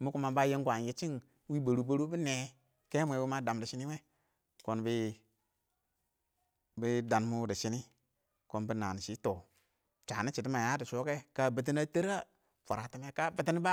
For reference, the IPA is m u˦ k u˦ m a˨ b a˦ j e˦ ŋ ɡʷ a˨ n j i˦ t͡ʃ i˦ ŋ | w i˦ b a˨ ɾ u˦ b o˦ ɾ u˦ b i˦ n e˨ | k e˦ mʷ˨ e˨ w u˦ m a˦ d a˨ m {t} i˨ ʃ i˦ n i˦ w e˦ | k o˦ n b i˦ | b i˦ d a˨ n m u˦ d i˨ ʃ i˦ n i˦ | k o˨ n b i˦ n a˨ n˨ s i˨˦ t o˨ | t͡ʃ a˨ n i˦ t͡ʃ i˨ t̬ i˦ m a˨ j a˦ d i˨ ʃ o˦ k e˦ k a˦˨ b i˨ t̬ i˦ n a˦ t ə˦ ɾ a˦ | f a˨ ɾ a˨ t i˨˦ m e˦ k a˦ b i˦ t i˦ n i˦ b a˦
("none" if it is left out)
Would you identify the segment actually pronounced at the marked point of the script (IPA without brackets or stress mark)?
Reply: d